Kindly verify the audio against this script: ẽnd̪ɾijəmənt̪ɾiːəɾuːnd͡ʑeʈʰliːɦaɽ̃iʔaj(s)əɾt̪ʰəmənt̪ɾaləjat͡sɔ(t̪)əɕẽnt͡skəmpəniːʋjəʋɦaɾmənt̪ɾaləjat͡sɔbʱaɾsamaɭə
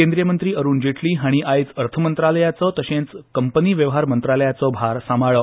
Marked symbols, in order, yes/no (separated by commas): no, yes